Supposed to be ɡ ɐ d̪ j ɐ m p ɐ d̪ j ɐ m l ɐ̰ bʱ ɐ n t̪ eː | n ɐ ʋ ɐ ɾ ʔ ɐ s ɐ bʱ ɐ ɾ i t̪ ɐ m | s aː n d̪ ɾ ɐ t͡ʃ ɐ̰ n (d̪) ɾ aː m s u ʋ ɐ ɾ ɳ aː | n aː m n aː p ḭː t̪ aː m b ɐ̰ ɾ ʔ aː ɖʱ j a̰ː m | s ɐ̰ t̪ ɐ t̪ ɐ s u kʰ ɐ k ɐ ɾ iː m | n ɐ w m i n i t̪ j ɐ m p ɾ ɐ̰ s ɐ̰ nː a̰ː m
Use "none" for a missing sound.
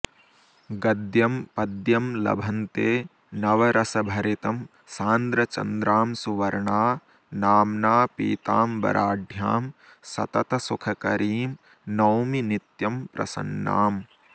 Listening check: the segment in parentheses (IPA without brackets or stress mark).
d̪